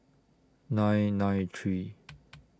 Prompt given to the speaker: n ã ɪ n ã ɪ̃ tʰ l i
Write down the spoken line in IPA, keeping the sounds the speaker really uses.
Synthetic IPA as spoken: n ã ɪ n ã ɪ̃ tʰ ɹ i